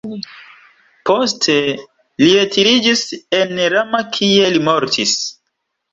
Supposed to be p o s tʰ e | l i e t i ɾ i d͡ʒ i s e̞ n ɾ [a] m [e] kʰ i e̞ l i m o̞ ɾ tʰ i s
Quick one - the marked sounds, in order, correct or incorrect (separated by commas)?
correct, incorrect